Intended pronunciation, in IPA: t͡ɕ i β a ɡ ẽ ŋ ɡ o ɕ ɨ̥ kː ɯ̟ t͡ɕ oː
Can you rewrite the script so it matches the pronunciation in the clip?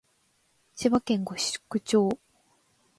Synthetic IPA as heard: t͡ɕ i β a k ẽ ŋ ɡ o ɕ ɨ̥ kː ɯ̟ t͡ɕ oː